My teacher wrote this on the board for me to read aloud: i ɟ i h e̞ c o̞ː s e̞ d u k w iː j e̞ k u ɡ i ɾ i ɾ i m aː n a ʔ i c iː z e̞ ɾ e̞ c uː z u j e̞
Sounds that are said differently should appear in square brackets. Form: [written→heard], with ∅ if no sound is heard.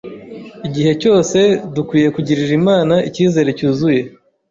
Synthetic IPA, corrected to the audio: i ɟ i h e̞ c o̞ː s e̞ d u k w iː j e̞ k u [ɡ→ɟ] i ɾ i ɾ i m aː n a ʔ i c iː z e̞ ɾ e̞ c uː z u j e̞